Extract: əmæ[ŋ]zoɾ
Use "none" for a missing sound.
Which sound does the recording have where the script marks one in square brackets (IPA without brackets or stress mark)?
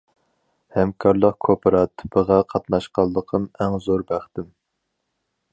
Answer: ŋ